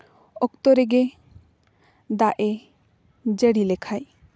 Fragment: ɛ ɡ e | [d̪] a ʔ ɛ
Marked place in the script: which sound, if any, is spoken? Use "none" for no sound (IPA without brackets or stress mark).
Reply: d̪